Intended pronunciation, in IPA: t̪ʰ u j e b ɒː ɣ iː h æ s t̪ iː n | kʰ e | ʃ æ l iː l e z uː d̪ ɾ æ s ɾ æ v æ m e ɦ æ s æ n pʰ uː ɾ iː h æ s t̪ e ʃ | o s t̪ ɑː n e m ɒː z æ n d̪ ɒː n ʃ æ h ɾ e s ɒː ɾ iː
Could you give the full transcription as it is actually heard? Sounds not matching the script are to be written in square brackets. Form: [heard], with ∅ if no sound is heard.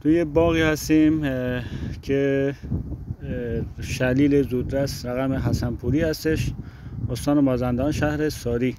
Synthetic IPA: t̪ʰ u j e b ɒː ɣ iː h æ s t̪ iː [m] | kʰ e | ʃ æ l iː l e z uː d̪ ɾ æ s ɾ æ [ɣ] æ m e ɦ æ s æ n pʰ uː ɾ iː h æ s t̪ e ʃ | o s t̪ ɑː n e m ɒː z æ n d̪ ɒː n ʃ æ h ɾ e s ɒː ɾ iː